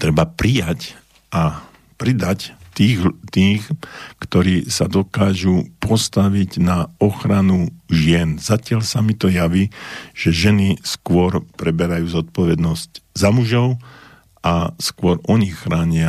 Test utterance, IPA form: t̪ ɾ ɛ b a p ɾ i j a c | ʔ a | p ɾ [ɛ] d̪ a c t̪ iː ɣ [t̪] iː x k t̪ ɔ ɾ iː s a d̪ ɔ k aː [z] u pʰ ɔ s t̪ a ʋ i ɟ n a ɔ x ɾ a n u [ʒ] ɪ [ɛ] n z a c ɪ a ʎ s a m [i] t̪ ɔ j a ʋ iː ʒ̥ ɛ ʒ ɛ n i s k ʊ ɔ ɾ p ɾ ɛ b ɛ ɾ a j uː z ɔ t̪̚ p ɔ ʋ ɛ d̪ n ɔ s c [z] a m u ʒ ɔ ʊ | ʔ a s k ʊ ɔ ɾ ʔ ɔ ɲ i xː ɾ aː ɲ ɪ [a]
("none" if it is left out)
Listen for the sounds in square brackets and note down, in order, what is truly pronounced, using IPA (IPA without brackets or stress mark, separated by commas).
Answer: i, t̪, ʒ, ʒ, ɛ, i, z, a